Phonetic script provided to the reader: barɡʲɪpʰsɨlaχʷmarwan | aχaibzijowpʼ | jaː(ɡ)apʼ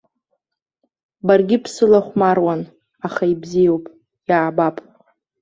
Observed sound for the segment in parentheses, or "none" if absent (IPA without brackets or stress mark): b